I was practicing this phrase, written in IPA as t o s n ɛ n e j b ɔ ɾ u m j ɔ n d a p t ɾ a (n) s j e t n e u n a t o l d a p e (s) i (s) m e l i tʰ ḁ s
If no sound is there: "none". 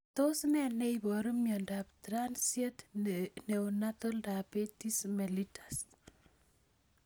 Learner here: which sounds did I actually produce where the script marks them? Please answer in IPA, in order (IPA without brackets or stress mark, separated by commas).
n, t, s